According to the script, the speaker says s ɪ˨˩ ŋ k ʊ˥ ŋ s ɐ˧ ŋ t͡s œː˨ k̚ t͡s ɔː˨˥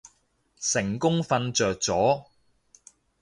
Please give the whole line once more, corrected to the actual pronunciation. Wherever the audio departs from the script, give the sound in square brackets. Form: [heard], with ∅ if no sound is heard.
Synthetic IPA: s ɪ˨˩ ŋ k ʊ˥ ŋ [f] ɐ˧ [n] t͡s œː˨ k̚ t͡s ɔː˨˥